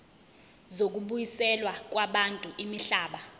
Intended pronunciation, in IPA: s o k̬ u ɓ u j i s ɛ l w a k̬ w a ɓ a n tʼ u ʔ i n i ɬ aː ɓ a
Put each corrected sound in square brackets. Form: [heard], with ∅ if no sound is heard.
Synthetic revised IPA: [z] o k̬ u ɓ u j i s ɛ l w a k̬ w a ɓ a n tʼ u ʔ i [m] i ɬ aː ɓ a